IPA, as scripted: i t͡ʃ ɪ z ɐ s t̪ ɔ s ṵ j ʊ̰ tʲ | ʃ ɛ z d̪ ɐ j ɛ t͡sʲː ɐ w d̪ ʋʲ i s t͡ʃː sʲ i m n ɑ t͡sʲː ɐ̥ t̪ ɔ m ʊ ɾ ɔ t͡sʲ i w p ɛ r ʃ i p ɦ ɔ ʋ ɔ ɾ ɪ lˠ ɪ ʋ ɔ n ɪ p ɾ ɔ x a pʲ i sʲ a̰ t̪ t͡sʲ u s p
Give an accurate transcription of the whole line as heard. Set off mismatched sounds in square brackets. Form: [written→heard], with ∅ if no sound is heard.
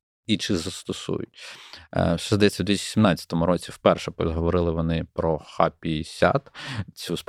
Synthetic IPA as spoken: i t͡ʃ ɪ z ɐ s t̪ ɔ s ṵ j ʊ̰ tʲ | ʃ ɛ z d̪ ɐ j ɛ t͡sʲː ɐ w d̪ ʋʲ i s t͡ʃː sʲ i m n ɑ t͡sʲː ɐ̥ t̪ ɔ m ʊ ɾ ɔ t͡sʲ i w p ɛ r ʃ [i→ɛ] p ɦ ɔ ʋ ɔ ɾ ɪ lˠ ɪ ʋ ɔ n ɪ p ɾ ɔ x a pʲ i sʲ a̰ t̪ t͡sʲ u s p